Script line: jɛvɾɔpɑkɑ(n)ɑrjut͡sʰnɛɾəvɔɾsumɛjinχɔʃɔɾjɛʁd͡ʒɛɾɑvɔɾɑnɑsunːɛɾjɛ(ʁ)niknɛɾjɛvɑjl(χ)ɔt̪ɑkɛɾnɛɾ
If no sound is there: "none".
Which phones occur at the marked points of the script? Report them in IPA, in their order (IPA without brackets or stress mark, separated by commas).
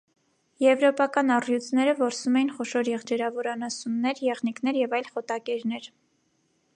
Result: n, ʁ, χ